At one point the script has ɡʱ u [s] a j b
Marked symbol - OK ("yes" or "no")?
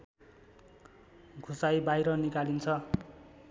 yes